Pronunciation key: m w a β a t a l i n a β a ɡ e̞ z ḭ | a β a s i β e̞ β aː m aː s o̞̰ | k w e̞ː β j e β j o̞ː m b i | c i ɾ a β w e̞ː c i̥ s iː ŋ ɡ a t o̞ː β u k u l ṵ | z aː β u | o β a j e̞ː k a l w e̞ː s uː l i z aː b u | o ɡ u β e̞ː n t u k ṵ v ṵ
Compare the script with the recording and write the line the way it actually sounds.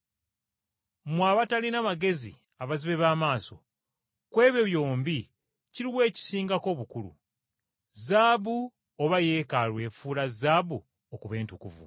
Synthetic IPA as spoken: m w a β a t a l i n a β a ɡ e̞ z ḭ | a β a z i β e̞ β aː m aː s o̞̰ | k w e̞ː β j e β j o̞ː m b i | c i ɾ i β w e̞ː c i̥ s iː ŋ ɡ a k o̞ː β u k u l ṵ | z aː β u | o β a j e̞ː k a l w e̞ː f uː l a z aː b u | o k u β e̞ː n t u k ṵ v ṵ

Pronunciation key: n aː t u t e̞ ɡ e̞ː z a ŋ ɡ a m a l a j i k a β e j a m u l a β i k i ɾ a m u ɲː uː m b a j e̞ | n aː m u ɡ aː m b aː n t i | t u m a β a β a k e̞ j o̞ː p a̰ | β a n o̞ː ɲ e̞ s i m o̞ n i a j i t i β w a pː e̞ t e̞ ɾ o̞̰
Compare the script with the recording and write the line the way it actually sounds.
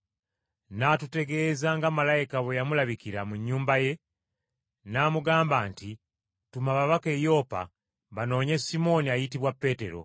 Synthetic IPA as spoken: n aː t u t e̞ ɡ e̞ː z a ŋ ɡ a m a l a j i k a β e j a m u l a β i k i ɾ a m u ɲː uː m b a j e̞ | n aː m u ɡ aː m b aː n t i | t u m a β a β a k e̞ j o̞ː p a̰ | β a n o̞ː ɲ e̞ s i m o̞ n i a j i t i β w a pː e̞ t e̞ ɾ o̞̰

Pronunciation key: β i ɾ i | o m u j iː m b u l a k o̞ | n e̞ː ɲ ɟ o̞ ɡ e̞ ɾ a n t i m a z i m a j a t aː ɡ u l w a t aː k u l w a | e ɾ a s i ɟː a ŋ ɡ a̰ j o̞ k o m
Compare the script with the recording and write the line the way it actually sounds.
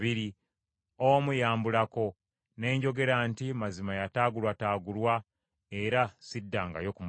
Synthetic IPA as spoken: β i ɾ i | o m u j aː m b u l a k o̞ | n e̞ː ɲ ɟ o̞ ɡ e̞ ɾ a n t i m a z i m a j a t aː ɡ u l w a t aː ɡ u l w a | e ɾ a s i dː a ŋ ɡ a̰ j o̞ k u m

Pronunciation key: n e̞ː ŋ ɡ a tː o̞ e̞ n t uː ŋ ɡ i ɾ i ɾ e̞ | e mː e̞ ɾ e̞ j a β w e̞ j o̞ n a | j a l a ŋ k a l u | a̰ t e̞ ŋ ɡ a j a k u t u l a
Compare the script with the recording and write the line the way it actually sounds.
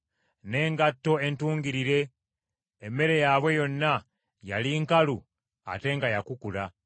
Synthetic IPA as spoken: n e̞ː ŋ ɡ a tː o̞ e̞ n t uː ŋ ɡ i ɾ i ɾ e̞ | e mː e̞ ɾ e̞ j a β w e̞ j o̞ nː a | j a l i ŋ k a l u | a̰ t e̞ ŋ ɡ a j a k u k u l a

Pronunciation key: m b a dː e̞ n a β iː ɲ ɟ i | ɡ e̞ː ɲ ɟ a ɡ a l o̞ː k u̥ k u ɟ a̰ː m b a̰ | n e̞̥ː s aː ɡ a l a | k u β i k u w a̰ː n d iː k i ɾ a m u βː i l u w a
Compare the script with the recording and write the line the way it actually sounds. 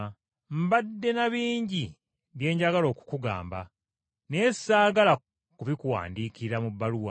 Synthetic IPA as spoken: m b a dː e̞ n a β iː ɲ ɟ i | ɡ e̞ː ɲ ɟ a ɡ a l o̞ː k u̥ k u ɡ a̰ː m b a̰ | n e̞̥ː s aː ɡ a l a | k u β i k u w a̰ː n d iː k i ɾ a m u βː a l u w a

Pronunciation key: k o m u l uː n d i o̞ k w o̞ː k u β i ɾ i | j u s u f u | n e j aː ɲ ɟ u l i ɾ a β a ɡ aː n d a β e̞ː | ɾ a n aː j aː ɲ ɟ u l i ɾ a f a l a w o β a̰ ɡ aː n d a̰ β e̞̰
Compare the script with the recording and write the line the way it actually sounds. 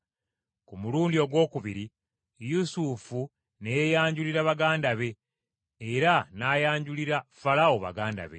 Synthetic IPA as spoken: k u m u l uː n d i o̞ ɡ w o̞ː k u β i ɾ i | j u s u f u | n e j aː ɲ ɟ u l i ɾ a β a ɡ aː n d a β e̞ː | ɾ a n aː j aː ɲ ɟ u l i ɾ a f a l a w o β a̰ ɡ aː n d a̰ β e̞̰

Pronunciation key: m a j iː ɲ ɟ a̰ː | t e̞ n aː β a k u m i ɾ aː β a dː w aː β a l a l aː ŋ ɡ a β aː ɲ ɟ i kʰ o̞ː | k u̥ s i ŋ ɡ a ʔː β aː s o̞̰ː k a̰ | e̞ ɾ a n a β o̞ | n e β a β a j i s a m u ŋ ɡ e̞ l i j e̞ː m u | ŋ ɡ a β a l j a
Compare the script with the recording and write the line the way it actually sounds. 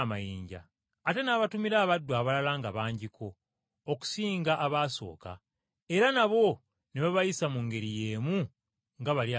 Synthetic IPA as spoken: m a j iː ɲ ɟ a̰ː | t e̞ n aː β a t u m i ɾ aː β a dː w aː β a l a l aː ŋ ɡ a β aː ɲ ɟ i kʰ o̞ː | k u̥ s iː ŋ ɡ a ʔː β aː s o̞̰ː k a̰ | e̞ ɾ a n a β o̞ | n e β a β a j i s a m u ŋ ɡ e̞ ɾ i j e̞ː m u | ŋ ɡ a β a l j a

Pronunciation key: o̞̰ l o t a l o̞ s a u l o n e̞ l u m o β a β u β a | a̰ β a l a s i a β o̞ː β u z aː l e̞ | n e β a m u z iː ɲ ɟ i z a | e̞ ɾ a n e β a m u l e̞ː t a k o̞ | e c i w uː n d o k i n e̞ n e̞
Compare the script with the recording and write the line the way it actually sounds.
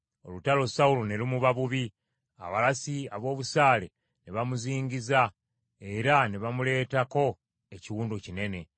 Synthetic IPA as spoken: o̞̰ l u t a l o̞ s a u l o n e̞ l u m u β a β u β i | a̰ β a l a s i a β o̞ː β u s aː l e̞ | n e β a m u z iː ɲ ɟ i z a | e̞ ɾ a n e β a m u l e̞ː t a k o̞ | e c i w uː n d o c i n e̞ n e̞

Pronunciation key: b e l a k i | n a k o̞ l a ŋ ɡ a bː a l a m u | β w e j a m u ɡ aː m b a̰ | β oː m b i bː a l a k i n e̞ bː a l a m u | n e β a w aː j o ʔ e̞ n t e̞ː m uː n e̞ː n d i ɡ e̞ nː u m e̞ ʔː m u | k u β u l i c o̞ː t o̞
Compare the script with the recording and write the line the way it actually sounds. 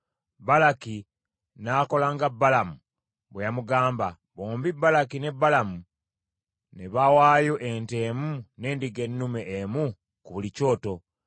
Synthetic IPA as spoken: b a l a k i | n a k o̞ l a ŋ ɡ a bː a l a m u | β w e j a m u ɡ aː m b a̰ | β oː m b i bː a l a k i n e̞ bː a l a m u | n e β a w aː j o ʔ e̞ n t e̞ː m u n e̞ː n d i ɡ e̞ nː u m e̞ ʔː m u | k u β u l i c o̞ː t o̞

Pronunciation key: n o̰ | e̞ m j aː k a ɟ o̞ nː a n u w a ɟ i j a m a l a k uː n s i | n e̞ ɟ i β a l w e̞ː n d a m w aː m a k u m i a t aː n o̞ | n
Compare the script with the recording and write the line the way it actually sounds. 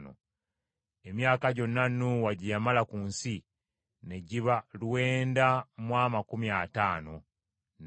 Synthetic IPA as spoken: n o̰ | e̞ m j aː k a ɟ o̞ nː a n u w a ɟ i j a m a l a k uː n s i | n e̞ ɟ i β a l w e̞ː n d a m w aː m a k u m i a t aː n o̞ | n

